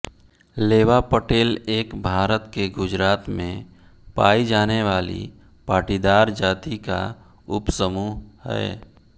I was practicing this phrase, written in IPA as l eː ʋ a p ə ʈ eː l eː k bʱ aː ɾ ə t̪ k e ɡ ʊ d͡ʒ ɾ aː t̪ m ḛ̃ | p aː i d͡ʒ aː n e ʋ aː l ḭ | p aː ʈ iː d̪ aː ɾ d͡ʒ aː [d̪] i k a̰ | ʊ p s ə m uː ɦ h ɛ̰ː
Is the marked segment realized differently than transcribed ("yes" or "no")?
yes